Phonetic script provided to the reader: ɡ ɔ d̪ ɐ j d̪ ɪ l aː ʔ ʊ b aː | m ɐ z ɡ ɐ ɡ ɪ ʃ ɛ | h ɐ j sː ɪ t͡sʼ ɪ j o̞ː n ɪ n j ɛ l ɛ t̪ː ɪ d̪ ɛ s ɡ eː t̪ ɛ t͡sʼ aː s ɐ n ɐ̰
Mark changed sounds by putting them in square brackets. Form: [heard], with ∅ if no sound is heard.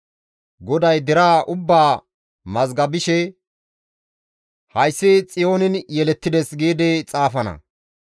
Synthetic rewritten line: ɡ ɔ d̪ ɐ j d̪ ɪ [ɾ] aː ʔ ʊ [bː] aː | m ɐ z ɡ ɐ [b] ɪ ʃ ɛ | h ɐ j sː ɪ t͡sʼ ɪ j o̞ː n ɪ n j ɛ l ɛ t̪ː ɪ d̪ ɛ s ɡ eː [d̪] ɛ t͡sʼ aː [f] ɐ n ɐ̰